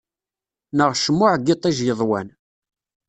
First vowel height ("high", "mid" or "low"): mid